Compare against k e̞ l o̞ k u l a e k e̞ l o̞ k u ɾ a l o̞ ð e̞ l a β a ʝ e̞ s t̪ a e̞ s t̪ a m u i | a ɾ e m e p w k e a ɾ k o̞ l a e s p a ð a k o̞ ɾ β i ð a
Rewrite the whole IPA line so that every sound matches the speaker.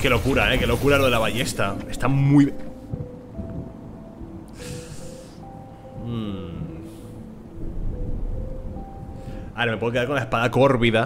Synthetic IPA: k e̞ l o̞ k u ɾ a e k e̞ l o̞ k u ɾ a l o̞ ð e̞ l a β a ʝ e̞ s t̪ a e̞ s t̪ a m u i | a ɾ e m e p w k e a ɾ k o̞ l a e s p a ð a k o̞ ɾ β i ð a